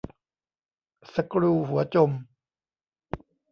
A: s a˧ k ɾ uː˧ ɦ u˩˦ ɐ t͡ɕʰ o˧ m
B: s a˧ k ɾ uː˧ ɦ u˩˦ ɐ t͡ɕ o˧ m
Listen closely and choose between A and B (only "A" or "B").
B